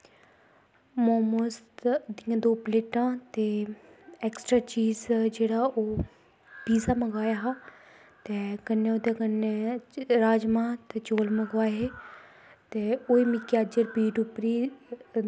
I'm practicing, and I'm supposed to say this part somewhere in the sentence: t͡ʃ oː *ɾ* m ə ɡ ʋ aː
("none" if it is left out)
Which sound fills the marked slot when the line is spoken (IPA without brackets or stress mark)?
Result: l